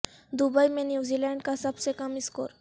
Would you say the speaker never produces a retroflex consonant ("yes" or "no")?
no